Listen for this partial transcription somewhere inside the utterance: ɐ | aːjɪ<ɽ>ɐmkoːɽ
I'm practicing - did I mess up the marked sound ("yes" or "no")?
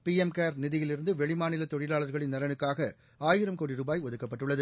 yes